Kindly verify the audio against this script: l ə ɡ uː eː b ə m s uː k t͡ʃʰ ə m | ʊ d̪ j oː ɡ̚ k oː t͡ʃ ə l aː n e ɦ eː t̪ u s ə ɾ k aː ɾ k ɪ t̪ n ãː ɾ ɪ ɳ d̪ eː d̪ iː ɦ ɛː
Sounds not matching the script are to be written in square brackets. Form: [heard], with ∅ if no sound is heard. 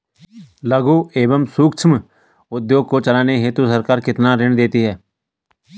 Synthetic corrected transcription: l ə ɡ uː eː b ə m s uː k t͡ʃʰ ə m | ʊ d̪ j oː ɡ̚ k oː t͡ʃ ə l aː n e ɦ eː t̪ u s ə ɾ k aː ɾ k ɪ t̪ n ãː ɾ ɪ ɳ d̪ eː [t̪] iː ɦ ɛː